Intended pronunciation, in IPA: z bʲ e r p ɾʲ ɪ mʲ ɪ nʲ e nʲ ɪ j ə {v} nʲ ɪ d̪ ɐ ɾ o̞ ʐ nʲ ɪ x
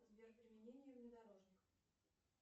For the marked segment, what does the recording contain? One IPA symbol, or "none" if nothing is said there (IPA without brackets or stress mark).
v